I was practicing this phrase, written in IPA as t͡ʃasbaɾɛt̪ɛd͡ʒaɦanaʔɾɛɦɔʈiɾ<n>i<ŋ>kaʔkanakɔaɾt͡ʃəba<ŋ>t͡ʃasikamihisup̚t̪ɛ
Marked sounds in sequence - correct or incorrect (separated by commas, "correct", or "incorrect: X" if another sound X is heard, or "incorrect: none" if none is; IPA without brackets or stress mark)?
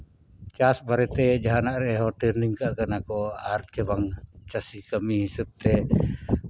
correct, correct, correct